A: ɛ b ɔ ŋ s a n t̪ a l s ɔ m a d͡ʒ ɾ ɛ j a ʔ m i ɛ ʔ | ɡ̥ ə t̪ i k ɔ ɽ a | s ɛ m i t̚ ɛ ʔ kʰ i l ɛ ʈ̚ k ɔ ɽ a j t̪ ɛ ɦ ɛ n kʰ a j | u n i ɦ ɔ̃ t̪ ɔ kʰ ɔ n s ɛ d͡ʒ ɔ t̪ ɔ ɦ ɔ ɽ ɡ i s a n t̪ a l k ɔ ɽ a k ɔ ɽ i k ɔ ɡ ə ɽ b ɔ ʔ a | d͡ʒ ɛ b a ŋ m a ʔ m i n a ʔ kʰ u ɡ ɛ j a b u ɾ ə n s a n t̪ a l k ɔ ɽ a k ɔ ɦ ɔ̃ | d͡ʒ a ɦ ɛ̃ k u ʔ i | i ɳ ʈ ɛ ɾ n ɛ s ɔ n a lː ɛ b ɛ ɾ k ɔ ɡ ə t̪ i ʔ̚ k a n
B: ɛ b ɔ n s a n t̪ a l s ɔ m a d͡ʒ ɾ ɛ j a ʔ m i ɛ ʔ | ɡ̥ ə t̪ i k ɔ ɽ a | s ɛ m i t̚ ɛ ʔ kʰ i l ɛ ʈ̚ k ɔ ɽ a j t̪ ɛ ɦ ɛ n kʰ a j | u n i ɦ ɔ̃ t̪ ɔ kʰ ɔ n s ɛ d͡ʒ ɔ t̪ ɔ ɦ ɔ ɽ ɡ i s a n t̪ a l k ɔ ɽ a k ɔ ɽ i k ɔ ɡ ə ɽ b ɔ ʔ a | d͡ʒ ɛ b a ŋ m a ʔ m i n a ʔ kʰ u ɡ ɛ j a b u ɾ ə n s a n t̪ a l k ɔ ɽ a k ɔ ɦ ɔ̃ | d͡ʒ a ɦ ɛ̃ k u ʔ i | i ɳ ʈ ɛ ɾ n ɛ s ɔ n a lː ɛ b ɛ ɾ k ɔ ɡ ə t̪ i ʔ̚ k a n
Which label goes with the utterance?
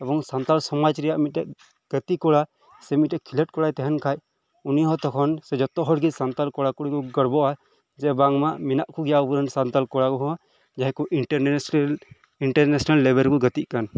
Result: A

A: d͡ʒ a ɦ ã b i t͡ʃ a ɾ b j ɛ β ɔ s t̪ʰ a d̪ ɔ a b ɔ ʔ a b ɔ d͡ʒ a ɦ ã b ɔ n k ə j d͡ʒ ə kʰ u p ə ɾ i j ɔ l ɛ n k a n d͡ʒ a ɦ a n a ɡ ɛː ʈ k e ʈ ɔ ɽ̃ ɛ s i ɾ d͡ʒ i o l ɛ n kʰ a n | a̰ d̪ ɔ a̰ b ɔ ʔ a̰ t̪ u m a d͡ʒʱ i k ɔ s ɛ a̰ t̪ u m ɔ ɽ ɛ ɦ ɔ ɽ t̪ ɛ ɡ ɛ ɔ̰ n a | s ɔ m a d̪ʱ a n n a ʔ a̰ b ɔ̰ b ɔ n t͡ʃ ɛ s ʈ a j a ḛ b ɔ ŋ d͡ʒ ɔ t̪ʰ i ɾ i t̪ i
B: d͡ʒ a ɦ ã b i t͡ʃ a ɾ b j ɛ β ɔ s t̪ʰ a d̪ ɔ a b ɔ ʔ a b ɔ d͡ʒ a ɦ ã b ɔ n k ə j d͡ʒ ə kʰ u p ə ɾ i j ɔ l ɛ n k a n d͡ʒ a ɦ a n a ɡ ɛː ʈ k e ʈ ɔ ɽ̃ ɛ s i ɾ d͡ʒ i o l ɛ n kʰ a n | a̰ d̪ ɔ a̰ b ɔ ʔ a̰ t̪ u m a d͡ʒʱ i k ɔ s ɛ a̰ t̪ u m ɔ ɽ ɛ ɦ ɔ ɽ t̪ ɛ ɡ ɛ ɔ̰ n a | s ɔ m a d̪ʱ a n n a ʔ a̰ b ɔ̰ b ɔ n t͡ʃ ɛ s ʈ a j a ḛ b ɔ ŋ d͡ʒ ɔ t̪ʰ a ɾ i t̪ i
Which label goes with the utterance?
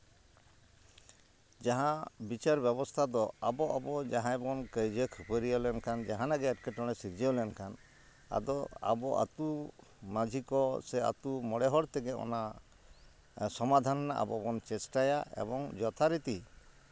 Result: B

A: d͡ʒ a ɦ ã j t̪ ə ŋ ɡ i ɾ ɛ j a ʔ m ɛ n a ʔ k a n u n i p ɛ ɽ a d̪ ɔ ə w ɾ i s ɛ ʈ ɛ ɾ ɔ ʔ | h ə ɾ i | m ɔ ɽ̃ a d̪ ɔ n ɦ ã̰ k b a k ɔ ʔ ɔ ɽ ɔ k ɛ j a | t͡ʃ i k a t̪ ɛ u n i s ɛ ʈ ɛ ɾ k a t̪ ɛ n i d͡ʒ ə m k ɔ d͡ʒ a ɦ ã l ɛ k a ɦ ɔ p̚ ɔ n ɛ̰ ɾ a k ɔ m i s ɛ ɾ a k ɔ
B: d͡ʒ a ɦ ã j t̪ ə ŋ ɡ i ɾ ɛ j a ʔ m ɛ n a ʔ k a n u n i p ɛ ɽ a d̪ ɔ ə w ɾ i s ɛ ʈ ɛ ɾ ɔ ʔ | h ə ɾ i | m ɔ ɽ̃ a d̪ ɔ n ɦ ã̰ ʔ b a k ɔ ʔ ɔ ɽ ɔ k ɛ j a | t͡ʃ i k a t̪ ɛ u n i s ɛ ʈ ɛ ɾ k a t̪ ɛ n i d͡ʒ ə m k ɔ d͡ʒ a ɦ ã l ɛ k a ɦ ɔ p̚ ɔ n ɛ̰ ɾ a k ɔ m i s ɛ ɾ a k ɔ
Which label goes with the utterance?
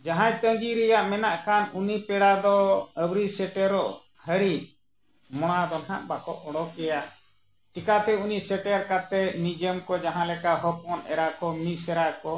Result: B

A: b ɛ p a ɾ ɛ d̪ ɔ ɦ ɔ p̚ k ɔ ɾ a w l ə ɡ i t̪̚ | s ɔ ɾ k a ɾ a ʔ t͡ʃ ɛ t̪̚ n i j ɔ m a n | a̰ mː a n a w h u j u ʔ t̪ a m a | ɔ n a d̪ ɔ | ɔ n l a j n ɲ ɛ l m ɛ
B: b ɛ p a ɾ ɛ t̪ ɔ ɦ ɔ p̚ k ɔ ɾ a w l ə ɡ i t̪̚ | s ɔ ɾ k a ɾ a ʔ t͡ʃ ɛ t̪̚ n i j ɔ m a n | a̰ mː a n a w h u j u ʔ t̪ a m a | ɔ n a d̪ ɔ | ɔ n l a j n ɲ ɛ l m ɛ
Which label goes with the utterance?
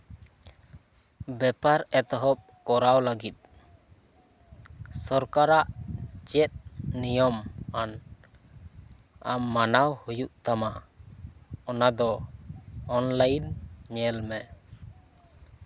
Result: B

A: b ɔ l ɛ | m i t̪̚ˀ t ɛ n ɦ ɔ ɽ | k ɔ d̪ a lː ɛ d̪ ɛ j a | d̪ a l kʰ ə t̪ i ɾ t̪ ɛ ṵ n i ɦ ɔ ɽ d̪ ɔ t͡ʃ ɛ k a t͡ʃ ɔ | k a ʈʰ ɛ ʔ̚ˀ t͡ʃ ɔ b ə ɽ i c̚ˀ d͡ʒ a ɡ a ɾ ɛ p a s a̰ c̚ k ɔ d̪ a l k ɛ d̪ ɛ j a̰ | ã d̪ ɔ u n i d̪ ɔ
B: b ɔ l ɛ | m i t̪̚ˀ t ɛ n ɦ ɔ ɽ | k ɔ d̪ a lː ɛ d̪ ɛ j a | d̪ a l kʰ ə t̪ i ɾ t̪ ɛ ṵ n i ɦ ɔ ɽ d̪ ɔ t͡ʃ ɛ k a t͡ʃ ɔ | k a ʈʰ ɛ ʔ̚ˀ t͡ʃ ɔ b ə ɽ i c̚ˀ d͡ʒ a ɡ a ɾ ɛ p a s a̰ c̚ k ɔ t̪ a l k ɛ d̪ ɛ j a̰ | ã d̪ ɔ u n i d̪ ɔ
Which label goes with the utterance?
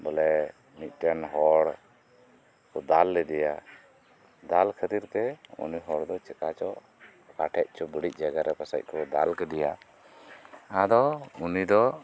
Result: A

